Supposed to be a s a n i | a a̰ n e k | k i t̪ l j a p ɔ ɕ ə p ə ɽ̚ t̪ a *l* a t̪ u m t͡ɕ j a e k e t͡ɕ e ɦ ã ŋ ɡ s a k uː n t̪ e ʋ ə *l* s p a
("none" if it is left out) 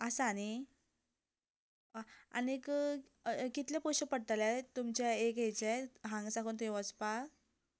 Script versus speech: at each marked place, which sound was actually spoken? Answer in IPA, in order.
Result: l, none

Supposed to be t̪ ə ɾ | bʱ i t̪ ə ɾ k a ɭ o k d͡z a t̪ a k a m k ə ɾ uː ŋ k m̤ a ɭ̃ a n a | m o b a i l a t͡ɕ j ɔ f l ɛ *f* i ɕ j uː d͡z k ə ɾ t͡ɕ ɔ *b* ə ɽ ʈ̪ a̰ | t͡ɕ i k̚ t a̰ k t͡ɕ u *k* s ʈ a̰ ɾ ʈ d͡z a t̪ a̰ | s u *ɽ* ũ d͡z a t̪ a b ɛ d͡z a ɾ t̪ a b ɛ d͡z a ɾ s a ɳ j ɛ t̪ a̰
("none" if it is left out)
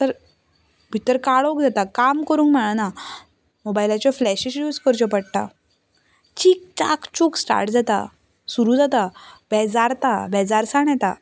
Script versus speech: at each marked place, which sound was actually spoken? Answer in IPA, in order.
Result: ɕ, p, k, ɾ

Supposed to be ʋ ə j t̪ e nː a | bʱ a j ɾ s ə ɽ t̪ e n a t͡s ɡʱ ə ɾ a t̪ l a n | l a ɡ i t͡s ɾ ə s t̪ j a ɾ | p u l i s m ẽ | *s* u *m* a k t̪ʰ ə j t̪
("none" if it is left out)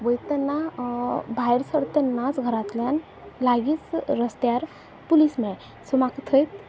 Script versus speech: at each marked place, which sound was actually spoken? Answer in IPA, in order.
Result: s, m

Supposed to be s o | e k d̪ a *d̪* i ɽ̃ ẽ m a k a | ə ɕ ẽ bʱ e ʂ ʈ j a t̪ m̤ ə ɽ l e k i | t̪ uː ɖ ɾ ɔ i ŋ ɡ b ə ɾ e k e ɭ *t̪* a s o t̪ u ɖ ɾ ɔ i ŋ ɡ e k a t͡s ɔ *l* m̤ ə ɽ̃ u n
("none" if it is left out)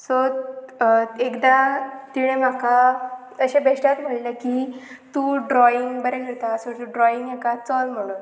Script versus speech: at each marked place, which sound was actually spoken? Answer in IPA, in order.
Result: t̪, t̪, l

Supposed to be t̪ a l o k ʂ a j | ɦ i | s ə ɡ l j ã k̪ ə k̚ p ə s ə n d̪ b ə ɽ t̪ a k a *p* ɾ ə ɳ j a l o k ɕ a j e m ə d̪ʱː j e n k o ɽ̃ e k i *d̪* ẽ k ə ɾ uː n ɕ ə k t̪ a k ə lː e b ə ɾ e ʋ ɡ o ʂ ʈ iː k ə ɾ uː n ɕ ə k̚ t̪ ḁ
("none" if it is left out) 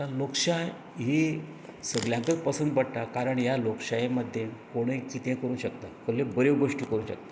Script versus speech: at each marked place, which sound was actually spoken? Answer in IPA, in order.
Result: none, t̪

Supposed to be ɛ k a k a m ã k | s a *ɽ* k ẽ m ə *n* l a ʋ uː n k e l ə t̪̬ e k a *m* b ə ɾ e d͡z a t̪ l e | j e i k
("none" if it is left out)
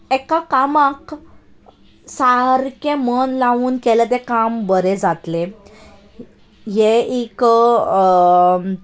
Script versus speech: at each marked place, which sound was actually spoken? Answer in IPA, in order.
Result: ɾ, n, m

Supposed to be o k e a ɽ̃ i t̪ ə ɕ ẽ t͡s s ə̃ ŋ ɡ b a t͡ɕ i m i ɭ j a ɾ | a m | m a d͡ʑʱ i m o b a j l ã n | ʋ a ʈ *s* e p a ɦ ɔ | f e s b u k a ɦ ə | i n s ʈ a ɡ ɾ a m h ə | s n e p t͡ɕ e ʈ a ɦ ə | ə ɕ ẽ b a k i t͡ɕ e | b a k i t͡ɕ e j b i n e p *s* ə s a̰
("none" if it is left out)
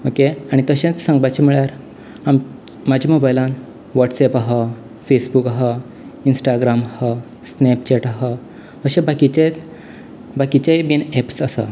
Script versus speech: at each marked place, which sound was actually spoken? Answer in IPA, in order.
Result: s, s

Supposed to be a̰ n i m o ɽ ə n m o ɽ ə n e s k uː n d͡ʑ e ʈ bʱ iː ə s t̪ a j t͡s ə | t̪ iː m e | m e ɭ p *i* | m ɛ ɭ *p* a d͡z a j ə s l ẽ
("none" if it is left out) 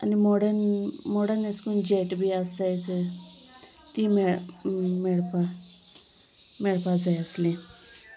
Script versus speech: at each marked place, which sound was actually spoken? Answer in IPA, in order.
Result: a, p

